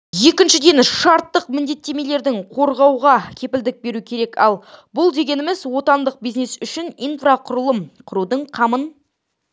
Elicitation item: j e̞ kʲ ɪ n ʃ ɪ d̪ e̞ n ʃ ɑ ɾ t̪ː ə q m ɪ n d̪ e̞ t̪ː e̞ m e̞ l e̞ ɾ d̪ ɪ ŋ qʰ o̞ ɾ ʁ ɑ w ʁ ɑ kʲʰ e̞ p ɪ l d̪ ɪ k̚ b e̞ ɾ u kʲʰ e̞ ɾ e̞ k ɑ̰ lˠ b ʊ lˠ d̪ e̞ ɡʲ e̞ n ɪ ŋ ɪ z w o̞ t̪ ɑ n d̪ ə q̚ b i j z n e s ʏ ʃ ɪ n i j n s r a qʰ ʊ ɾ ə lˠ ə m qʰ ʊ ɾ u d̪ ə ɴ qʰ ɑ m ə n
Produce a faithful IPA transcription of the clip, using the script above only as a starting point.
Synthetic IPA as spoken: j e̞ kʲ ɪ n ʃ ɪ d̪ e̞ n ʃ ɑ ɾ t̪ː ə q m ɪ n d̪ e̞ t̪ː e̞ m e̞ l e̞ ɾ d̪ ɪ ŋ qʰ o̞ ɾ ʁ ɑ w ʁ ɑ kʲʰ e̞ p ɪ l d̪ ɪ k̚ b e̞ ɾ u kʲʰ e̞ ɾ e̞ k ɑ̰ lˠ b ʊ lˠ d̪ e̞ ɡʲ e̞ n ɪ m ɪ z w o̞ t̪ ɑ n d̪ ə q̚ b i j z n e s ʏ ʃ ɪ n i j n f r a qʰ ʊ ɾ ə lˠ ə m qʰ ʊ ɾ u d̪ ə ɴ qʰ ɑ m ə n